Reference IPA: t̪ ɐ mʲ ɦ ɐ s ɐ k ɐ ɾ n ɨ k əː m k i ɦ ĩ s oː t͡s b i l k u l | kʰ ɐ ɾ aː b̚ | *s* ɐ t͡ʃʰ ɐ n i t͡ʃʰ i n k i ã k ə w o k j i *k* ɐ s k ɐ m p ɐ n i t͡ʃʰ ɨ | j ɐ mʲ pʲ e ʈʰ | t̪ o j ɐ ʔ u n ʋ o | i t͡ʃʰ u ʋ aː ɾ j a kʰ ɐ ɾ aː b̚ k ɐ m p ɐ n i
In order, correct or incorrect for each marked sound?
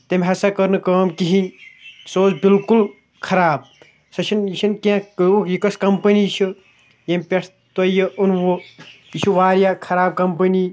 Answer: correct, correct

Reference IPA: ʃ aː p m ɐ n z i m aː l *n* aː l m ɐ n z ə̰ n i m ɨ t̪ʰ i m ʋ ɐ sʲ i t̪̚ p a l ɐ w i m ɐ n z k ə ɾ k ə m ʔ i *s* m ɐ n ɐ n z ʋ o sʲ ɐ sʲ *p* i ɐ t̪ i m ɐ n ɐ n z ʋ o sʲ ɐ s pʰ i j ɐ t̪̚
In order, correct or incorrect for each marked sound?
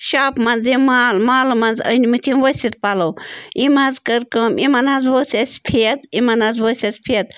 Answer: incorrect: m, incorrect: none, incorrect: pʰ

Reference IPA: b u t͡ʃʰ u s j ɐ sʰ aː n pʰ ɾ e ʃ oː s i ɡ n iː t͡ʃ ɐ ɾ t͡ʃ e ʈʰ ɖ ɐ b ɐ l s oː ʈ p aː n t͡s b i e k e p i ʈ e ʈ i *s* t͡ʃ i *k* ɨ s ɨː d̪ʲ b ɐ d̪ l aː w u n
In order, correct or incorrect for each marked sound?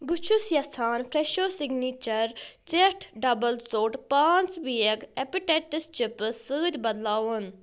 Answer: correct, incorrect: p

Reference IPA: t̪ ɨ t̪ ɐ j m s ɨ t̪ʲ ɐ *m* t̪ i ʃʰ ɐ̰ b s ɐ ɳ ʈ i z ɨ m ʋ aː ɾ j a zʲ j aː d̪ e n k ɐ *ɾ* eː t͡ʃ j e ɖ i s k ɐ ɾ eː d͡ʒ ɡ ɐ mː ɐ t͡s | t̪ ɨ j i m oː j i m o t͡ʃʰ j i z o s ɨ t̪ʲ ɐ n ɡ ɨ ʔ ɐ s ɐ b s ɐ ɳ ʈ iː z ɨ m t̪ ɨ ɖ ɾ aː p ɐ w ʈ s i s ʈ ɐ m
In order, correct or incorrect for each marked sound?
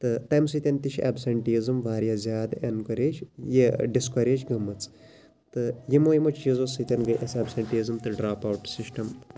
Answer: incorrect: n, correct

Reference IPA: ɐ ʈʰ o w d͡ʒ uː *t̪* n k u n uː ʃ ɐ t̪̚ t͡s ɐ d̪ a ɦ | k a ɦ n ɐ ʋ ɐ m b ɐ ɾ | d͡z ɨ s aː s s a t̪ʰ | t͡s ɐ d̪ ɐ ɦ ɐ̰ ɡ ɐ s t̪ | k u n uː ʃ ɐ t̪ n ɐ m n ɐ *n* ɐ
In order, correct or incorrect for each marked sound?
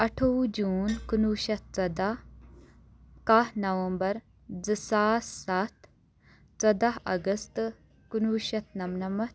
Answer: incorrect: none, incorrect: m

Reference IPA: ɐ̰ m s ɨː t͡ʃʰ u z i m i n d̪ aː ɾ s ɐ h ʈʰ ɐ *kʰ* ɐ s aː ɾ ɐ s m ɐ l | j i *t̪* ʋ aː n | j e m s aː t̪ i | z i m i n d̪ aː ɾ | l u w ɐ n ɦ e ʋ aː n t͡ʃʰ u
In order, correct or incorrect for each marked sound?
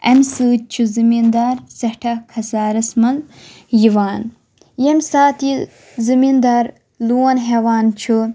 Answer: correct, incorrect: none

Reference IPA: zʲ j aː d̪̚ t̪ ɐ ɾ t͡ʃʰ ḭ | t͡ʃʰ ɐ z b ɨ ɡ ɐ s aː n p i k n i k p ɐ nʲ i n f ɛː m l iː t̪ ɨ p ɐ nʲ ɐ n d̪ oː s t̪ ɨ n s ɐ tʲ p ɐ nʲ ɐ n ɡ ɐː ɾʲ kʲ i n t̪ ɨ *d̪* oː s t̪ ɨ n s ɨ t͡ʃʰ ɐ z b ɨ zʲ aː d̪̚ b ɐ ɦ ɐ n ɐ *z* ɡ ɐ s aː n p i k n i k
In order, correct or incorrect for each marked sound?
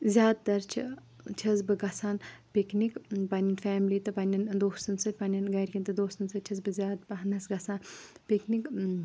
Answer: correct, incorrect: s

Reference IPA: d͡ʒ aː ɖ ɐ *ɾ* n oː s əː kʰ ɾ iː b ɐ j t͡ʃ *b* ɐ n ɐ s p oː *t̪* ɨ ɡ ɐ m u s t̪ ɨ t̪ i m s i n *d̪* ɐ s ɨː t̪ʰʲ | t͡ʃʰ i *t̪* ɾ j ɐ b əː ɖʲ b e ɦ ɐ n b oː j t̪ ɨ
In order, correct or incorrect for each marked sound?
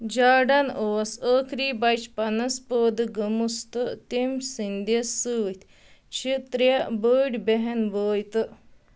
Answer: incorrect: none, incorrect: p, incorrect: d̪, correct, correct

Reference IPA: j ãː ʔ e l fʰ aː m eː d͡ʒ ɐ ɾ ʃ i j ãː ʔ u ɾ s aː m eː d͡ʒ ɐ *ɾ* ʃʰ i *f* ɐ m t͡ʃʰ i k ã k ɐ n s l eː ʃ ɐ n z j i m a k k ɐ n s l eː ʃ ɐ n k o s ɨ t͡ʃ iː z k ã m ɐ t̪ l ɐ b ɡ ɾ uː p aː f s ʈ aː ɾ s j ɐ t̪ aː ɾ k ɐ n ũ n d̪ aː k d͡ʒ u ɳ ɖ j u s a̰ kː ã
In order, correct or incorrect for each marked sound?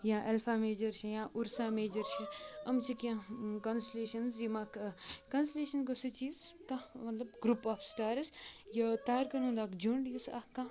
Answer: correct, incorrect: none

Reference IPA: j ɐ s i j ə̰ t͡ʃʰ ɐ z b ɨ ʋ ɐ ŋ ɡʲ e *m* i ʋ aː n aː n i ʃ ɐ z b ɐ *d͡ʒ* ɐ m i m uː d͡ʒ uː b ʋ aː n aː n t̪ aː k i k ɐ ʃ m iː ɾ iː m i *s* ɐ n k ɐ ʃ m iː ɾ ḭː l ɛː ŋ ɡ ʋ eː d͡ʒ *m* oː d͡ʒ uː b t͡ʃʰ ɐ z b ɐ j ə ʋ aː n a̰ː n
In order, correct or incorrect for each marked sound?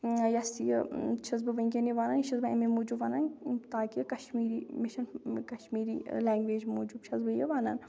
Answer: incorrect: n, incorrect: none, incorrect: ʃ, correct

